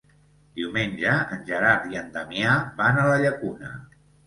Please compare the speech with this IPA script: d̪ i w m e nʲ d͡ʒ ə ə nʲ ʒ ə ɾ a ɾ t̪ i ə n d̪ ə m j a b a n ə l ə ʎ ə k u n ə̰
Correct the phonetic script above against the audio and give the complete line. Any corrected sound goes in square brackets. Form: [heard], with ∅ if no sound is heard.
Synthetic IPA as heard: d̪ i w m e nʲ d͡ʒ ə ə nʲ ʒ ə ɾ a ɾ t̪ i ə n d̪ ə m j a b a n ə l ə ʎ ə k u n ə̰